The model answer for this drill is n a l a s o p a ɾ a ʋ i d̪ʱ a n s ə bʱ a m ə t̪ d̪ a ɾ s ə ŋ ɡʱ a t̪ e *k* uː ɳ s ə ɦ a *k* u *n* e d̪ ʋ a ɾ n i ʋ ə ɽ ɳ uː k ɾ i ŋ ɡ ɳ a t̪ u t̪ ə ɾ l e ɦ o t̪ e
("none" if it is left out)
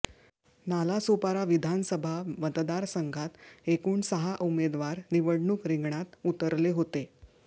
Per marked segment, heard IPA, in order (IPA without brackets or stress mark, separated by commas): k, ʔ, m